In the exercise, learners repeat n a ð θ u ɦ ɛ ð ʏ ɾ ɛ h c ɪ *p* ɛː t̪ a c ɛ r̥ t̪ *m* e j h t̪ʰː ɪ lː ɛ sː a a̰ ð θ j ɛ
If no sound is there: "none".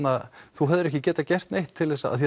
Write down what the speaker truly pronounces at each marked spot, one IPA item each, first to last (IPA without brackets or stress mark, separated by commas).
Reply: c, n